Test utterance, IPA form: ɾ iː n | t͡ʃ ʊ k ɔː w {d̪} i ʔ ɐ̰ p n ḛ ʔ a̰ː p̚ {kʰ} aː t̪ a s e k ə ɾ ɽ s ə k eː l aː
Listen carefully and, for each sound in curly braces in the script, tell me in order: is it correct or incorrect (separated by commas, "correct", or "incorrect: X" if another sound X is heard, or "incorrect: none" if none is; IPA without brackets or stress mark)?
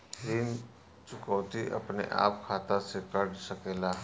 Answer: incorrect: t̪, correct